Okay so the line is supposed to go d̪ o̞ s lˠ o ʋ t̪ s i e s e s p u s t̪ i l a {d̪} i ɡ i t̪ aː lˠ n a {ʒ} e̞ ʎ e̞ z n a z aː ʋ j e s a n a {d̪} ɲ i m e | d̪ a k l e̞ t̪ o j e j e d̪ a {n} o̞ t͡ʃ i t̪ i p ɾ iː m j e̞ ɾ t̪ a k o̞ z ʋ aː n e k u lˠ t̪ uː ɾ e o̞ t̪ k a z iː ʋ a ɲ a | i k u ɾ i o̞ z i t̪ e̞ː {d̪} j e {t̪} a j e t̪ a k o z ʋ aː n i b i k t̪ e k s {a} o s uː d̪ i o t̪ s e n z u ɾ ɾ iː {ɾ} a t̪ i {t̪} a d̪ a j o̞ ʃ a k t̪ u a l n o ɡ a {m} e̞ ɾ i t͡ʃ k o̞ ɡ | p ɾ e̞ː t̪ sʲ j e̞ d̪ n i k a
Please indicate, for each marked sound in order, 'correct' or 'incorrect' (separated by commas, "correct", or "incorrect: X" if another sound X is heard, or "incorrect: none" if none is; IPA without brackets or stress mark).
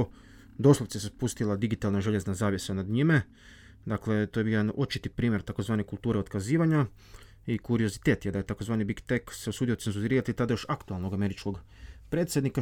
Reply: correct, correct, correct, correct, incorrect: t̪, incorrect: d̪, incorrect: e, correct, correct, correct